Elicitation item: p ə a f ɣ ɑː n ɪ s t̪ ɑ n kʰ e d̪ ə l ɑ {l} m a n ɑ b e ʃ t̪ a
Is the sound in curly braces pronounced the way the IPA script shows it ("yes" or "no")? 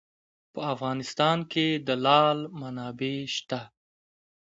yes